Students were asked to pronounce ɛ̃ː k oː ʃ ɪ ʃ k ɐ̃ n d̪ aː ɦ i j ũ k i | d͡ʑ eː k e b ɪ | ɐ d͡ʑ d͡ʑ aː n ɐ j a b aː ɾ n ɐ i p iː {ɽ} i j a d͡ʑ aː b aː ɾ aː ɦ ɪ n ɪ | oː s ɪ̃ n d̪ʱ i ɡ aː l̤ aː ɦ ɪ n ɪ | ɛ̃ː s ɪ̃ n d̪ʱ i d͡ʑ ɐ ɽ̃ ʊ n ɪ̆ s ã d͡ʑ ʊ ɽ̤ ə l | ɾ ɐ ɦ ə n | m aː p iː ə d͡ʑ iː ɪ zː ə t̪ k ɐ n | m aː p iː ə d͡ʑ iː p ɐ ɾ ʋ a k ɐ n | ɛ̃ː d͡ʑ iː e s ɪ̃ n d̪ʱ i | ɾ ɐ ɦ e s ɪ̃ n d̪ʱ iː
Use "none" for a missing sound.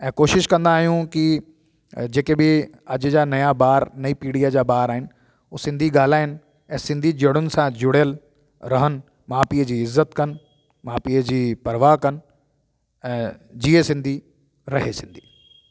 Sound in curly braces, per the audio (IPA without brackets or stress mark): ɽ